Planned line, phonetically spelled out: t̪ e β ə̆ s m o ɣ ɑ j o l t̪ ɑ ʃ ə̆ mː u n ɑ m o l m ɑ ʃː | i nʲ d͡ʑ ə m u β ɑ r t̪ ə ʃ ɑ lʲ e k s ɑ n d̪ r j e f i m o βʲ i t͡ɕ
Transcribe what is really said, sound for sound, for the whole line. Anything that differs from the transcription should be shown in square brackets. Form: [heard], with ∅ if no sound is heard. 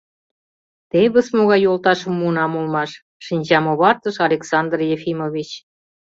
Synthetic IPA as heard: t̪ e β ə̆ s m o ɣ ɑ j o l t̪ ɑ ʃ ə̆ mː u n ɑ m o l m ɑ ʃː | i nʲ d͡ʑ [ɑ] m [o] β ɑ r t̪ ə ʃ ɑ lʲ e k s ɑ n d̪ r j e f i m o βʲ i t͡ɕ

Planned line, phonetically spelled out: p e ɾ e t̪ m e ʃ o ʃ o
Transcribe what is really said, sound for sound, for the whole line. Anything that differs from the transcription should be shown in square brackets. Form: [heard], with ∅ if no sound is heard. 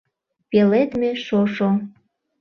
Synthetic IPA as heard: p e [l] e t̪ m e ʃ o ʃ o

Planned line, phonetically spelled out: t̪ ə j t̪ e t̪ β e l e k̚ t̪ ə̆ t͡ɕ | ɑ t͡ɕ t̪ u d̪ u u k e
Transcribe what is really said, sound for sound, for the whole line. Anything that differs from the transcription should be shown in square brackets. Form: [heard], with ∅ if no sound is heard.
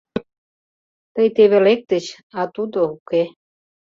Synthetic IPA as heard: t̪ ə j t̪ e [∅] β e l e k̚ t̪ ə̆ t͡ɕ | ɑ [∅] t̪ u d̪ [o] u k e

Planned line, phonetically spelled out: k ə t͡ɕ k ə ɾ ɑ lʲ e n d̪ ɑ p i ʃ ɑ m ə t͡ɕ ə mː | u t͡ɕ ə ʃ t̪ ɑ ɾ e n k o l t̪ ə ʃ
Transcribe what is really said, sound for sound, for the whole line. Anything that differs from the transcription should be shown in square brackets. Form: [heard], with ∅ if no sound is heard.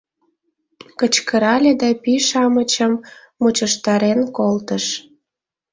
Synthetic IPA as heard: k ə t͡ɕ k ə ɾ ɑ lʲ e [∅] d̪ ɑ p i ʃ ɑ m ə t͡ɕ ə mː | u t͡ɕ ə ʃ t̪ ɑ ɾ e n k o l t̪ ə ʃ

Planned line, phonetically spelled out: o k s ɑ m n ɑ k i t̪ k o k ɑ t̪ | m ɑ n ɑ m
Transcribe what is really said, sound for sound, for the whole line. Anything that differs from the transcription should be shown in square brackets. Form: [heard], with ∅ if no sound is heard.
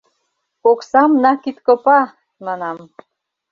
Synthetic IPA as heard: o k s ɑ m n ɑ k i t̪ k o [p] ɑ [∅] | m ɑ n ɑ m

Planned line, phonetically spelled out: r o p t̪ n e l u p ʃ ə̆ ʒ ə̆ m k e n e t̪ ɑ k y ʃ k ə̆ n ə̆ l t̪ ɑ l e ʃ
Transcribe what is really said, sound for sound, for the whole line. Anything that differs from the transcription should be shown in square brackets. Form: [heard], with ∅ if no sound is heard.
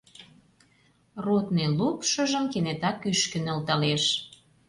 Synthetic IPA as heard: r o [∅] t̪ n e l u p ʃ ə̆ ʒ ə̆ m k e n e t̪ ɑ k y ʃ k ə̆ n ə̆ l t̪ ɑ l e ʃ

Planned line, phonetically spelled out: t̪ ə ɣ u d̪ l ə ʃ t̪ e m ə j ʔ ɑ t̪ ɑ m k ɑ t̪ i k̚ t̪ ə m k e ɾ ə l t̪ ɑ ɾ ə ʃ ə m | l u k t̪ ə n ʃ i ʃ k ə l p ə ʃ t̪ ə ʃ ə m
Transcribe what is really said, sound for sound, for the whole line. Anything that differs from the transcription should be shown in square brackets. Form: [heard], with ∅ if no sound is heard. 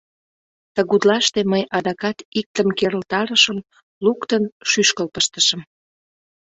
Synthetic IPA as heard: t̪ ə ɣ u d̪ l [ɑ] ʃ t̪ e m ə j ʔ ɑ [d̪] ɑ [∅] k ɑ t̪ i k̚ t̪ ə m k e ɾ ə l t̪ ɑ ɾ ə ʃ ə m | l u k t̪ ə n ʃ [y] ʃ k ə l p ə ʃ t̪ ə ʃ ə m

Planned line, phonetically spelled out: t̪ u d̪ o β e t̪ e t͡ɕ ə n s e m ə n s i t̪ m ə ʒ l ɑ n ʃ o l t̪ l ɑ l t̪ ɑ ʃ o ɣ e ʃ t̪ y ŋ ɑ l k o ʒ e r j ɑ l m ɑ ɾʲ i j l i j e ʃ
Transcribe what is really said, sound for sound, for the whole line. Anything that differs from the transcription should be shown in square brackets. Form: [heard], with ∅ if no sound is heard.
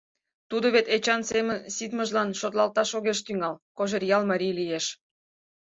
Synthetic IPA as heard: t̪ u d̪ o β e t̪ e t͡ɕ [ɑ] n s e m ə n s i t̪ m ə ʒ l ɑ n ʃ o [∅] t̪ l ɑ l t̪ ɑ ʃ o ɣ e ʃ t̪ y ŋ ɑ l k o ʒ e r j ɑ l m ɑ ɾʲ i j l i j e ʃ

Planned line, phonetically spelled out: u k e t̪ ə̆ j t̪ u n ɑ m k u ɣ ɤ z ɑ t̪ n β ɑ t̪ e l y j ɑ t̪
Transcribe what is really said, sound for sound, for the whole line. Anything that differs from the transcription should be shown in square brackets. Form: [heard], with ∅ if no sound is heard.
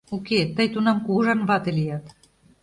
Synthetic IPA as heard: u k e t̪ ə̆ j t̪ u n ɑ m k u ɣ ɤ [ʒ] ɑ [∅] n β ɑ t̪ e l [i] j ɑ t̪

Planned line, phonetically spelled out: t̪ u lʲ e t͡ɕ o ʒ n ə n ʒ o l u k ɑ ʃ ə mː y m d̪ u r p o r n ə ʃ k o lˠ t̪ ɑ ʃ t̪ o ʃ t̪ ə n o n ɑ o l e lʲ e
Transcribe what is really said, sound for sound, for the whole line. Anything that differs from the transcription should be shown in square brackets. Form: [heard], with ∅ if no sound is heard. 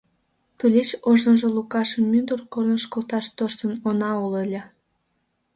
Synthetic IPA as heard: t̪ u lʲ e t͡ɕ o ʒ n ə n ʒ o l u k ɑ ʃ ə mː y [n] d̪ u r [k] o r n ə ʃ k o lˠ t̪ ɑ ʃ t̪ o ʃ t̪ ə n o n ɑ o l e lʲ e

